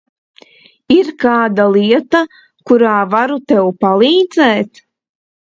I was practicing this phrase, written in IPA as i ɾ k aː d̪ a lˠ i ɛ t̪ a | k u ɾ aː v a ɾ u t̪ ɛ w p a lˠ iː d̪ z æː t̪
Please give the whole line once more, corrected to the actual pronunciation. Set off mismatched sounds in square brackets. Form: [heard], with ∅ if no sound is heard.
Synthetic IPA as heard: i ɾ k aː d̪ a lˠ i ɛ t̪ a | k u ɾ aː v a ɾ u t̪ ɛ w p a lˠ iː d̪ z [ɛː] t̪